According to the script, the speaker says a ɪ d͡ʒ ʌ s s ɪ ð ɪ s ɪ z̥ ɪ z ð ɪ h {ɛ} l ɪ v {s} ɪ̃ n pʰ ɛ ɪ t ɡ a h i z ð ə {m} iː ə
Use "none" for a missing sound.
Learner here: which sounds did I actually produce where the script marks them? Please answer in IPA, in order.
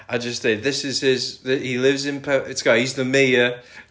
i, z, m

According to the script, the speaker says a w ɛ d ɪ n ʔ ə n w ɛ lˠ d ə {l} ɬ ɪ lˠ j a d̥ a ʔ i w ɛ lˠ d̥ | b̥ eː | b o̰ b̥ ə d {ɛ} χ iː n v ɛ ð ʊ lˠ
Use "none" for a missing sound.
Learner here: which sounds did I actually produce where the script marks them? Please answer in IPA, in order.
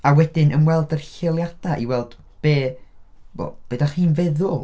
r, a

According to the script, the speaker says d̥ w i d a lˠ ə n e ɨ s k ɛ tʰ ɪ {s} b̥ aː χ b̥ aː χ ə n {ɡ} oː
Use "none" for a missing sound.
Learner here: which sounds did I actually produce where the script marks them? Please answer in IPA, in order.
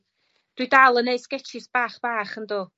s, d

